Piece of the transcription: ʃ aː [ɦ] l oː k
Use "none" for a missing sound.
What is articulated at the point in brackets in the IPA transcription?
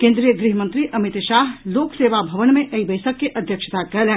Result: ɦ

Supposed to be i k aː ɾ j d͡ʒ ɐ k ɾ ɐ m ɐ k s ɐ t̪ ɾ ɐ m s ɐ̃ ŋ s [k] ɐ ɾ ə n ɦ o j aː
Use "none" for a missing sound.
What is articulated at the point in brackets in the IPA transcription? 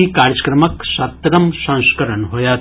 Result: k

